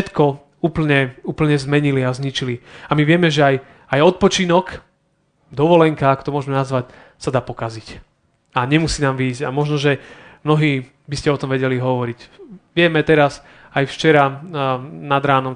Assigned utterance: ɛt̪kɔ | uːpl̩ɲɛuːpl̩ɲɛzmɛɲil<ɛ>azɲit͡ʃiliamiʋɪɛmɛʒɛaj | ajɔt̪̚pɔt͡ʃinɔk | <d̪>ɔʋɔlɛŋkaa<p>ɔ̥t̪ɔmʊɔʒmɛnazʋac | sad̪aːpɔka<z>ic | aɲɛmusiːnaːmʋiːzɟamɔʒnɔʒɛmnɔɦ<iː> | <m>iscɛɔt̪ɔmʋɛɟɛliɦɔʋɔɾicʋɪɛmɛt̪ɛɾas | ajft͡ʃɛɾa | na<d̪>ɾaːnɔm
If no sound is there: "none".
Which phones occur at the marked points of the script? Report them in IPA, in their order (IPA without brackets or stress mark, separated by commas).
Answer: i, d̪, k, z, iː, b, d̪